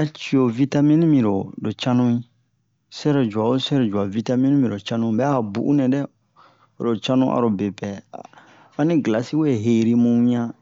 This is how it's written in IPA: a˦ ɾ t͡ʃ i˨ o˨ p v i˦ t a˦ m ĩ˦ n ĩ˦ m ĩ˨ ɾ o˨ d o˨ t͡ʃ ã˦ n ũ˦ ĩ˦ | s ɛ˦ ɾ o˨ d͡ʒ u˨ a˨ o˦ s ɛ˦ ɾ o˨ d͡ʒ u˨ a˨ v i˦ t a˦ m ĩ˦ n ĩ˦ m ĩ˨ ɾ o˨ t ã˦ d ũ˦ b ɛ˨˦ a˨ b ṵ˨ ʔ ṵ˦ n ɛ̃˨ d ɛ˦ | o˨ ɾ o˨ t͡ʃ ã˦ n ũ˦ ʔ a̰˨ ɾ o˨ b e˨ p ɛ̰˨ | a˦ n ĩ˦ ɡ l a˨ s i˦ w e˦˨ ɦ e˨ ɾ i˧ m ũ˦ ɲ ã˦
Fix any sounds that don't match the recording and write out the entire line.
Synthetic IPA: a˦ t͡ʃ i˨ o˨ v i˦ t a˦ m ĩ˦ n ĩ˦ m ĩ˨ ɾ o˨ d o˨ t͡ʃ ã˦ n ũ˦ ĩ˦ | s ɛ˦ ɾ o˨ d͡ʒ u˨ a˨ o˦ s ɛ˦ ɾ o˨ d͡ʒ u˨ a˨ v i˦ t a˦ m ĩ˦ n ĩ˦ m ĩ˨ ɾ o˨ t͡ʃ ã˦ n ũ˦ b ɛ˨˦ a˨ b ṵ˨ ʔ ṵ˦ n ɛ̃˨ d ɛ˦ | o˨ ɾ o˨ t͡ʃ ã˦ n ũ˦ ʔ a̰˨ ɾ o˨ b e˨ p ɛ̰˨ | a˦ n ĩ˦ ɡ l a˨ s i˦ w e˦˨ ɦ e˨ ɾ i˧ m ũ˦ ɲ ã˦